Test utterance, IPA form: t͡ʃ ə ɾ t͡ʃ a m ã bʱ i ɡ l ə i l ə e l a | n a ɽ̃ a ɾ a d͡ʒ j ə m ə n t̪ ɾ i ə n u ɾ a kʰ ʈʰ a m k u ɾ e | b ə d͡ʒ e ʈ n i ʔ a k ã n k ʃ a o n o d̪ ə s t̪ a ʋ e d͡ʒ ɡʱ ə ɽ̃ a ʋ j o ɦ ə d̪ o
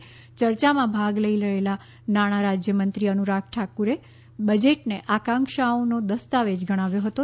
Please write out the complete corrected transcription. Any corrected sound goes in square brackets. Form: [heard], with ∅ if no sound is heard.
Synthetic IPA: t͡ʃ ə ɾ t͡ʃ a m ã bʱ [a] ɡ l ə i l ə e l a | n a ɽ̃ a ɾ a d͡ʒ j ə m ə n t̪ ɾ i ə n u ɾ a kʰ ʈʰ a [∅] k u ɾ e | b ə d͡ʒ e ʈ n [e] ʔ a k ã [ŋ] k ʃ a o n o d̪ ə s t̪ a ʋ e d͡ʒ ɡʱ ə ɽ̃ a ʋ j o ɦ ə [t̪] o